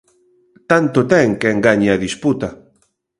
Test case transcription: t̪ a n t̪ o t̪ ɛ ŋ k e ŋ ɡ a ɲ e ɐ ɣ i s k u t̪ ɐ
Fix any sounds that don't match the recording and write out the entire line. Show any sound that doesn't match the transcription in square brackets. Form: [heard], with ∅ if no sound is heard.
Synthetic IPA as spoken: t̪ a n t̪ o t̪ ɛ ŋ k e ŋ ɡ a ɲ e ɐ [ð] i s [p] u t̪ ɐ